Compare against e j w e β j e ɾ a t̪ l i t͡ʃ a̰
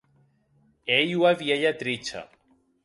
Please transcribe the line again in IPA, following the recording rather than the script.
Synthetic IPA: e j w a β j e ʎ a t̪ ɾ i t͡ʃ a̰

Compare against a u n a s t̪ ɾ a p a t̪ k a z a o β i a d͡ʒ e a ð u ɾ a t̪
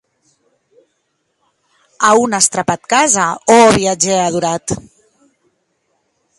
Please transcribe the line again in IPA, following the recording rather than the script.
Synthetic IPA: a u n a s t̪ ɾ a p a t̪ k a z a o β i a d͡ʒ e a ð u ɾ a t̪

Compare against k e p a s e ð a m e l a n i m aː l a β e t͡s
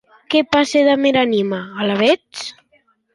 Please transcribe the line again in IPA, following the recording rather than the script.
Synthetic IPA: k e p a s e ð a m e ɾ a n i m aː l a β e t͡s

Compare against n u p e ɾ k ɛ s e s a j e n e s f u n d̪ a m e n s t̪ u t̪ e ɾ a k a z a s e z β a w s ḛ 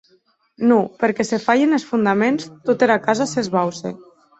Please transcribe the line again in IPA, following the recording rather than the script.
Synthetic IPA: n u p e ɾ k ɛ s e f a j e n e s f u n d̪ a m e n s t̪ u t̪ e ɾ a k a z a s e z β a w s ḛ

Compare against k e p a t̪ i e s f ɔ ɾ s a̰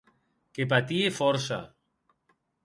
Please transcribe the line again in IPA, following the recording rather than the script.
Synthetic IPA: k e p a t̪ i e f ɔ ɾ s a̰

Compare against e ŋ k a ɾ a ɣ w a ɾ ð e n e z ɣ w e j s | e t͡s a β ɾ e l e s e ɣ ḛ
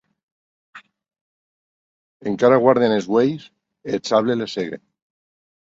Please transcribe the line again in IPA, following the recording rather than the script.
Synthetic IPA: e ŋ k a ɾ a ɣ w a ɾ ð e n e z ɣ w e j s | e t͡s a β l e l e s e ɣ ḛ

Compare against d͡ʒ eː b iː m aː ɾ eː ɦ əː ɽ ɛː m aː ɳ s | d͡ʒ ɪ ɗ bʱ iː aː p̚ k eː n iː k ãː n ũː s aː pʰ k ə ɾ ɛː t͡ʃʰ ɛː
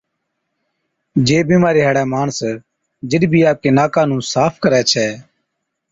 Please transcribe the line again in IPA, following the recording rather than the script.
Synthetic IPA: d͡ʒ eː b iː m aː ɾ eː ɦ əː ɽ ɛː m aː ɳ s | d͡ʒ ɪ ɗ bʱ iː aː p̚ k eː n aː k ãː n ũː s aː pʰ k ə ɾ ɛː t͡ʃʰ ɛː

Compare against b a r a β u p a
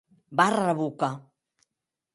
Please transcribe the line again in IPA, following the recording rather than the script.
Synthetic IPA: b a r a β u k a

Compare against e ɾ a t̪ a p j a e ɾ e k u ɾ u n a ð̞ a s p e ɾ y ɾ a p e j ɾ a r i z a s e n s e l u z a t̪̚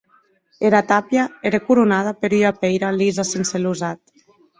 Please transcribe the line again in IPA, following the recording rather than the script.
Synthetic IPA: e ɾ a t̪ a p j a e ɾ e k u ɾ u n a ð̞ a p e ɾ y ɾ a p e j ɾ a l i z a s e n s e l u z a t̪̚

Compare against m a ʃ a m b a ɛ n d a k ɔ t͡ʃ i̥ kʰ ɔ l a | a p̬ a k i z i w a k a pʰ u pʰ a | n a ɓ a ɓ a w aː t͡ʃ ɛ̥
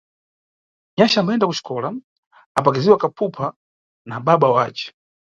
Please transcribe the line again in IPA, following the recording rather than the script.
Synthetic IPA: ɲ a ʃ a m b a ɛ n d a k u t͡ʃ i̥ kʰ ɔ l a | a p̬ a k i z i w a k a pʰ u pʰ a | n a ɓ a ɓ a w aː t͡ʃ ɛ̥

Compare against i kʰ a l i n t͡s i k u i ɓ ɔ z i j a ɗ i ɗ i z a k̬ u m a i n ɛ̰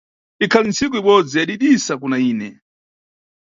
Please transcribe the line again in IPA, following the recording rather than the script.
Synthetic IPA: i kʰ a l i n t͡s i k u i ɓ ɔ d͡z i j a ɗ i ɗ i s a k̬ u n a iː n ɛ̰

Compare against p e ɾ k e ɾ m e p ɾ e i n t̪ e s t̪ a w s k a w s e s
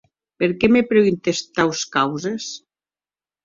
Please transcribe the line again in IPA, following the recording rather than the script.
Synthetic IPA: p e ɾ k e m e p ɾ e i n t̪ e s t̪ a w s k a w z e s

